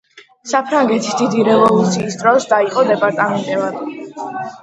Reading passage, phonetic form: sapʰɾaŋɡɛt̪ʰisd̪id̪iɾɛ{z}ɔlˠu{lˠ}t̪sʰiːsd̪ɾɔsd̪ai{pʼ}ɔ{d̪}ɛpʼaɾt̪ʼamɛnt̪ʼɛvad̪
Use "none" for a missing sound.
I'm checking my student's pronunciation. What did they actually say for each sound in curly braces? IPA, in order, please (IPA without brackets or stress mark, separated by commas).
v, none, qʼ, d̪